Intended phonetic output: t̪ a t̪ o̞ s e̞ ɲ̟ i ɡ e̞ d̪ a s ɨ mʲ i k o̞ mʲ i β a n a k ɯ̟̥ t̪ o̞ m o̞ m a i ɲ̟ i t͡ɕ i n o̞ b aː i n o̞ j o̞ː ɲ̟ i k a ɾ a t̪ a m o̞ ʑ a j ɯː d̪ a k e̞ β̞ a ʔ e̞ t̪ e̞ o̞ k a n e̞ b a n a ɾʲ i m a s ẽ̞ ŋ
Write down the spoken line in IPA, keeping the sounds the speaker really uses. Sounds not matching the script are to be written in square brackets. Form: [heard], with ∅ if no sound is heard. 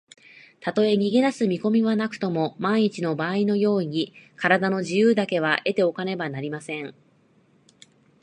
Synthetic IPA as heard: t̪ a t̪ o̞ [∅] e̞ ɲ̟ i ɡ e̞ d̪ a s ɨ mʲ i k o̞ mʲ i β a n a k ɯ̟̥ t̪ o̞ m o̞ m a i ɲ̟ i t͡ɕ i n o̞ b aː i n o̞ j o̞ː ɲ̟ i k a ɾ a [d̪] a [n] o̞ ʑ [i] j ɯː d̪ a k e̞ β̞ a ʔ e̞ t̪ e̞ o̞ k a n e̞ b a n a ɾʲ i m a s ẽ̞ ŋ